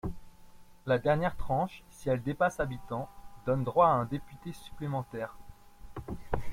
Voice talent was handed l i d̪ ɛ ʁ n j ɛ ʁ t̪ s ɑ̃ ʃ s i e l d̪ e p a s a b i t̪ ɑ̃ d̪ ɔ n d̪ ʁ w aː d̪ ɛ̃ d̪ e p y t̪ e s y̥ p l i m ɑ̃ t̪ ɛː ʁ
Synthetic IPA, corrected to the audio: l a d̪ ɛ ʁ n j ɛ ʁ t̪ χ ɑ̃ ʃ s i ɛ l d̪ e p a s a b i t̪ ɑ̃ d̪ ɔ n d̪ ʁ w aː ɛ̃ d̪ e p y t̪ e s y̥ p l e m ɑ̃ t̪ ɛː ʁ